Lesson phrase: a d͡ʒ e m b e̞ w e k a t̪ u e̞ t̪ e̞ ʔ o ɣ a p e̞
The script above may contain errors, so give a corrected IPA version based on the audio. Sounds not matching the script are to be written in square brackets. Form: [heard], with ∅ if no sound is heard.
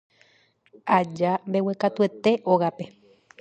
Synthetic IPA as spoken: a d͡ʒ [a] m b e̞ w e k a t̪ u e̞ t̪ e̞ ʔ o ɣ a p e̞